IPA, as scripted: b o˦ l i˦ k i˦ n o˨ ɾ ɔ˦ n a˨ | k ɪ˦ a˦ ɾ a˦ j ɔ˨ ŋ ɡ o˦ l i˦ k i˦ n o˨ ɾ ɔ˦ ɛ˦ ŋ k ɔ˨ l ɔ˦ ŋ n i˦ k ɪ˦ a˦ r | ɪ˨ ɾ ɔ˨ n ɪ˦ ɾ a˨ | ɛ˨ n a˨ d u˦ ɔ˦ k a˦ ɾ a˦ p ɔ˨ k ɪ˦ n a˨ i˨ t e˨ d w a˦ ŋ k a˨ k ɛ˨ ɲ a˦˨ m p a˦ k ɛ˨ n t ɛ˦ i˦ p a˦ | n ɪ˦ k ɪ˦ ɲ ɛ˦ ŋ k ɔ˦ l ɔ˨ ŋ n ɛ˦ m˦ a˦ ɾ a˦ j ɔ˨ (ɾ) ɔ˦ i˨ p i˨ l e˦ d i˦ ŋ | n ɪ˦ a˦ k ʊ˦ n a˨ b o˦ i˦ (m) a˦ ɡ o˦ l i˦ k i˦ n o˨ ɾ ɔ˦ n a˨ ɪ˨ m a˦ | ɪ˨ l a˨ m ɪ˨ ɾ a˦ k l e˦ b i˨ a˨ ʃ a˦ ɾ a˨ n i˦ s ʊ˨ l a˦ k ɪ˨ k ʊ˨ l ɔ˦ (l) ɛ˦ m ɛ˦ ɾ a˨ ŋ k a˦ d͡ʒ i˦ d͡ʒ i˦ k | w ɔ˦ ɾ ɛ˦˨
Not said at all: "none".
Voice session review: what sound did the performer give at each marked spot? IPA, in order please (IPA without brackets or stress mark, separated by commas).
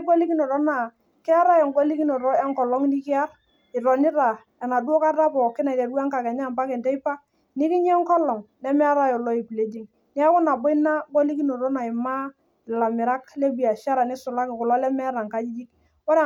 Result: l, n, l